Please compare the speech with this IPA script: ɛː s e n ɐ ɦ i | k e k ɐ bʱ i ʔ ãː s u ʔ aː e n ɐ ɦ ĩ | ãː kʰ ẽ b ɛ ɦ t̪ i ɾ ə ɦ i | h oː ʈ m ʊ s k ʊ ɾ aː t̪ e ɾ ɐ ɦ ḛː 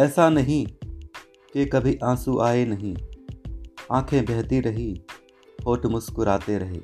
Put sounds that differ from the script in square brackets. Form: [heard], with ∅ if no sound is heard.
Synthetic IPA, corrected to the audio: ɛː s [a] n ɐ ɦ [ĩ] | k e k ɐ bʱ i ʔ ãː s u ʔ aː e n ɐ ɦ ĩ | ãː kʰ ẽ b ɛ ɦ t̪ i ɾ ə ɦ i | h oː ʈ m ʊ s k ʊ ɾ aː t̪ e ɾ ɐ ɦ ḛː